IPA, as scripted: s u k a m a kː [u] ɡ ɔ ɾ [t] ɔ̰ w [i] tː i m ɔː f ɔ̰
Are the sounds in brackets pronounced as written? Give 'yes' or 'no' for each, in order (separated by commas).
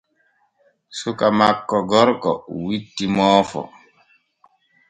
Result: no, no, yes